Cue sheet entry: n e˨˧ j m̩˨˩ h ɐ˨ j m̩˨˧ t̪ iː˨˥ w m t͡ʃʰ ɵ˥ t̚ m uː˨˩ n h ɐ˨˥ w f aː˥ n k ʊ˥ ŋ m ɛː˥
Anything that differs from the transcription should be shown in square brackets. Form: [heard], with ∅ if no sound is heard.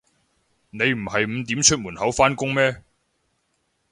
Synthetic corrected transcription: n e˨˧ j m̩˨˩ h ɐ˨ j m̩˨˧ t̪ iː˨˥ [∅] m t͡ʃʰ ɵ˥ t̚ m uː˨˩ n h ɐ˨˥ w f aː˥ n k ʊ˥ ŋ m ɛː˥